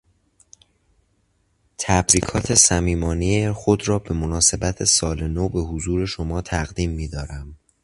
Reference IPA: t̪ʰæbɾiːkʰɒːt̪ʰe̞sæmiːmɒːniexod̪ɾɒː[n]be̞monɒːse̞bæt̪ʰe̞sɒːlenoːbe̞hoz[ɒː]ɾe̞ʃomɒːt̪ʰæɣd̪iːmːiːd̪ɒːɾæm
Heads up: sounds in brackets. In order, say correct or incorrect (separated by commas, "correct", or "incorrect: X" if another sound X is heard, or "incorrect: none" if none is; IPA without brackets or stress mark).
incorrect: none, incorrect: uː